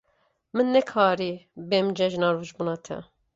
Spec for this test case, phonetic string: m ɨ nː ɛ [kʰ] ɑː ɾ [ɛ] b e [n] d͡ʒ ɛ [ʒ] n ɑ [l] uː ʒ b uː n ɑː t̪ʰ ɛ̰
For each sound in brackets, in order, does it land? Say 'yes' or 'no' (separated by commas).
yes, no, no, yes, no